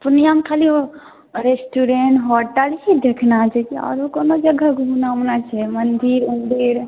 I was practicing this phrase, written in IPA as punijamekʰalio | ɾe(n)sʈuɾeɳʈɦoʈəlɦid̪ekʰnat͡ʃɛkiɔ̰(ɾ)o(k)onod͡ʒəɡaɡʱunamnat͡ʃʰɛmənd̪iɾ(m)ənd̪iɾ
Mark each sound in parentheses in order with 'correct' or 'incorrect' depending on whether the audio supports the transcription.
incorrect: none, correct, correct, correct

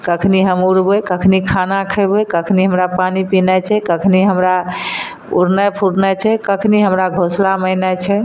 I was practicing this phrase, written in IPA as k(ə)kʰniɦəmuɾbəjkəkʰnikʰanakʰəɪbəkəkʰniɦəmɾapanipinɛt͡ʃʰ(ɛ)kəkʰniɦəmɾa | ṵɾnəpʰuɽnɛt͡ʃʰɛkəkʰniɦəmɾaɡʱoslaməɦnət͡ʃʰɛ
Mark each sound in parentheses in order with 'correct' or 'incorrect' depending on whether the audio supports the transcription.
correct, correct

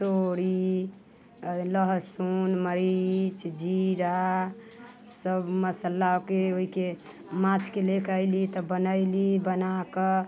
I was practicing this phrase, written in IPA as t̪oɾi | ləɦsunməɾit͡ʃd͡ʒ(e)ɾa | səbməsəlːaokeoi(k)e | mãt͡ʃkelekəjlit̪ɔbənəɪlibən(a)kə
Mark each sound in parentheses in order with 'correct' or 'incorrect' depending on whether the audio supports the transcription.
incorrect: i, correct, correct

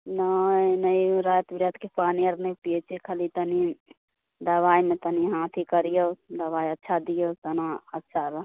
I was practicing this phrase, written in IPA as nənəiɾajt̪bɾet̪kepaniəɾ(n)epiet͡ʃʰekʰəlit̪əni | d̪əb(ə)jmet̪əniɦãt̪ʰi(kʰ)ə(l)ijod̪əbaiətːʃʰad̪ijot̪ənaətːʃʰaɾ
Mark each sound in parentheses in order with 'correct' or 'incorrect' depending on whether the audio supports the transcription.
correct, incorrect: a, incorrect: k, incorrect: ɾ

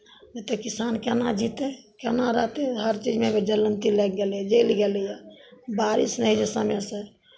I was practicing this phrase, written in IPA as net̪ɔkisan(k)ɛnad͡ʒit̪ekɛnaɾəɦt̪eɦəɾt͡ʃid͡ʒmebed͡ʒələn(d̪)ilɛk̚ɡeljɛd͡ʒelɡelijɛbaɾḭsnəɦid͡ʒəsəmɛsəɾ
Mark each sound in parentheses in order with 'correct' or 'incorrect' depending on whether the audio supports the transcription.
correct, incorrect: t̪

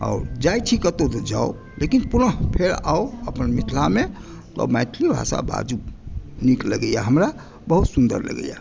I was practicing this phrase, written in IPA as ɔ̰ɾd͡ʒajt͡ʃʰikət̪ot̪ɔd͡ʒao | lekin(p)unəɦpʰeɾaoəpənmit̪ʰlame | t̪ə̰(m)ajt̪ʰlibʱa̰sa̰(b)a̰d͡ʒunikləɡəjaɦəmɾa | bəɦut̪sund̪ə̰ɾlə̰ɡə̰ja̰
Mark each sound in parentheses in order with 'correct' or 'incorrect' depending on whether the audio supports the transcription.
correct, correct, correct

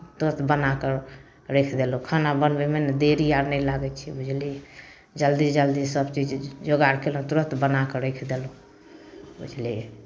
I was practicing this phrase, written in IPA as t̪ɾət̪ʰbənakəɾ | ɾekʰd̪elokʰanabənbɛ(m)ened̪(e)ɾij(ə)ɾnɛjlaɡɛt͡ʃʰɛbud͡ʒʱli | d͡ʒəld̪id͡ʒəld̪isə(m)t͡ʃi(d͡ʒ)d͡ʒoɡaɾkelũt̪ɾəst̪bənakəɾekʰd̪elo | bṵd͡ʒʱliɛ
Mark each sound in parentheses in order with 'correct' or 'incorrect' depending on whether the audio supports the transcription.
correct, correct, incorrect: a, incorrect: b, correct

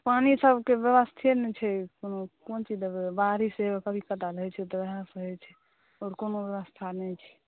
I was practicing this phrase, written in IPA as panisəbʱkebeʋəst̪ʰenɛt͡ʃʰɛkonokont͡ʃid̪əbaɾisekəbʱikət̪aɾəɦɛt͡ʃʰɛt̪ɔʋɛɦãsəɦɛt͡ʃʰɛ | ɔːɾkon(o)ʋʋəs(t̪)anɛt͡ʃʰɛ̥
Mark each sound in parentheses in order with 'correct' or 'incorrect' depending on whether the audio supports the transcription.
correct, incorrect: t̪ʰ

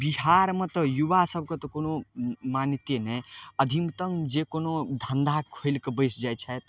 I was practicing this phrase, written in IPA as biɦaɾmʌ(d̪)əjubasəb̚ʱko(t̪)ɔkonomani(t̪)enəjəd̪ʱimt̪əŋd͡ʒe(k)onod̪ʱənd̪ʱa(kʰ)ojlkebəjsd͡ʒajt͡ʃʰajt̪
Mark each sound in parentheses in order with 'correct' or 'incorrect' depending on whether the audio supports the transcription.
incorrect: t̪, correct, correct, correct, correct

